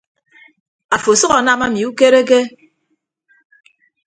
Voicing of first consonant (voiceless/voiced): voiceless